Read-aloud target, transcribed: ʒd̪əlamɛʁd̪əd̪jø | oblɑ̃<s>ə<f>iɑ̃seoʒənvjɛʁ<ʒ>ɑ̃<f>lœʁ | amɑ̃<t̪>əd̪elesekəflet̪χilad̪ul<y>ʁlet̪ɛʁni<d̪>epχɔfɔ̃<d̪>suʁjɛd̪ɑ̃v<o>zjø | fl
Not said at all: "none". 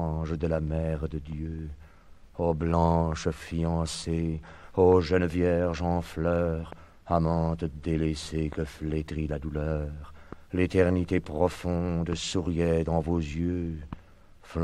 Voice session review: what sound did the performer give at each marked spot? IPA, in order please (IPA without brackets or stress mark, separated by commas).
ʃ, f, ʒ, f, t̪, œ, t̪, d̪, o